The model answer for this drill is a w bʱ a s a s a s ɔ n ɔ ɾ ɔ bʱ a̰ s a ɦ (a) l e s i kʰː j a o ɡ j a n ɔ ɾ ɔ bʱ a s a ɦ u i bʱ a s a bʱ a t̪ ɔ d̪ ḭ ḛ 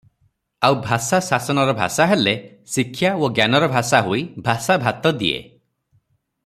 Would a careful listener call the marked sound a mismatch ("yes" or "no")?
yes